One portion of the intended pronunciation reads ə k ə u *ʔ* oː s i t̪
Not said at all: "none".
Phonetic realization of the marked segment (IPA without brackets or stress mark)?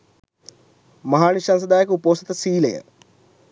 p